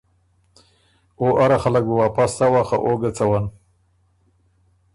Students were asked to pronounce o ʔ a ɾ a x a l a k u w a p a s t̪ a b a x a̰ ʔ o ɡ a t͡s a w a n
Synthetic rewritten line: o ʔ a ɾ a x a l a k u w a p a s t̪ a w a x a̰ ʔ o ɡ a t͡s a w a n